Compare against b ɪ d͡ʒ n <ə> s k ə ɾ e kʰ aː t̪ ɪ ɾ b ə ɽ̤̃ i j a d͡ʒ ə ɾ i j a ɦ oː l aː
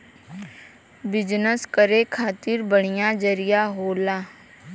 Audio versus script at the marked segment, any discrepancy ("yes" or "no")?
no